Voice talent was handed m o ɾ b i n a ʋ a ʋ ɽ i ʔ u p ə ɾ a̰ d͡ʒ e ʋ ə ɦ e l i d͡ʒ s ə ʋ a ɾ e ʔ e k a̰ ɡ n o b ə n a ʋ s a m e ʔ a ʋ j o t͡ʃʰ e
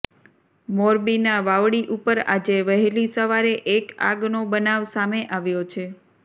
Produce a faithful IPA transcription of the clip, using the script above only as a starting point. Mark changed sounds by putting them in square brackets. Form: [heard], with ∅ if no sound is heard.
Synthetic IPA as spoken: m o ɾ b i n a ʋ a ʋ ɽ i ʔ u p ə ɾ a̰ d͡ʒ e ʋ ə ɦ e l i [∅] s ə ʋ a ɾ e ʔ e k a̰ ɡ n o b ə n a ʋ s a m e ʔ a ʋ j o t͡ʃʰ e